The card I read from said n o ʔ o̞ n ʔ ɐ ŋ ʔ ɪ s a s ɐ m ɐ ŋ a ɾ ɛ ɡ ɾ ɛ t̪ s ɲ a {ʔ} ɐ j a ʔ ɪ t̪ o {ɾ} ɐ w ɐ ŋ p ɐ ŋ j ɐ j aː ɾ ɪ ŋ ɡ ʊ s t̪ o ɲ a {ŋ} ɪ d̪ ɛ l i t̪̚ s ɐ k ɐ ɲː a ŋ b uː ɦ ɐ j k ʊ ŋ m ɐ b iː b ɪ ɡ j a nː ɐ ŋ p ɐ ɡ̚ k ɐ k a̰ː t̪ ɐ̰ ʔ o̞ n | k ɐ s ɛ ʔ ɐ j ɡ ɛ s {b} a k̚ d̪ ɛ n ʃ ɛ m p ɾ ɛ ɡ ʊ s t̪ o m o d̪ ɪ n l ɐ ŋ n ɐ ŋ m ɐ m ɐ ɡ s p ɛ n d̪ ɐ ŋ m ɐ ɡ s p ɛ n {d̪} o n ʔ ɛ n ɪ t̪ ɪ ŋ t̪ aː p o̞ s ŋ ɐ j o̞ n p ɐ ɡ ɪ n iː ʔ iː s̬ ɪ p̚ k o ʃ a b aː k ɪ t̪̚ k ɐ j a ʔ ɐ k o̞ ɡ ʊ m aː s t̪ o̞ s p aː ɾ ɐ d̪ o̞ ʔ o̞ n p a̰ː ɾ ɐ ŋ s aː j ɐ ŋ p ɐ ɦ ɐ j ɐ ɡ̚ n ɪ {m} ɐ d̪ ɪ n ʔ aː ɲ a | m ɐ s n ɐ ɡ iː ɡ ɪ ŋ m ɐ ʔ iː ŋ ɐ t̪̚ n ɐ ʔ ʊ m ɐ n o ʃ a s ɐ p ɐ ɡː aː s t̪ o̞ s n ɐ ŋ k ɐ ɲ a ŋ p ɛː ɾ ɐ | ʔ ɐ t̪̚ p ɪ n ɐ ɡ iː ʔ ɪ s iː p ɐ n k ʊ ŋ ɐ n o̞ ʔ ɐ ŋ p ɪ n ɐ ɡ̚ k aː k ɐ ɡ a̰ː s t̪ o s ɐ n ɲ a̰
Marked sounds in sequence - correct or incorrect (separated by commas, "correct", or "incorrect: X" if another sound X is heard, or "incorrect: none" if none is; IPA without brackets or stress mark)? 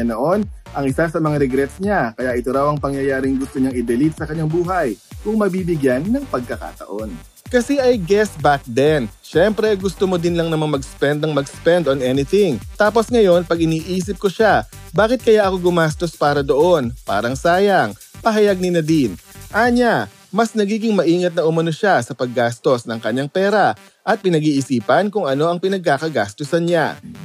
incorrect: k, correct, correct, correct, correct, incorrect: n